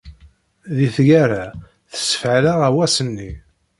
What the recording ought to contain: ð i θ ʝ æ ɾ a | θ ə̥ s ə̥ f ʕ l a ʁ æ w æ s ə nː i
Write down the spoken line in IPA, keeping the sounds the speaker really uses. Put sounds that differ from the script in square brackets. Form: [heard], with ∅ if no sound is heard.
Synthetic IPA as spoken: ð i θ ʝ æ ɾ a | θ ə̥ s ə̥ f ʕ l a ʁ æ w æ s ə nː i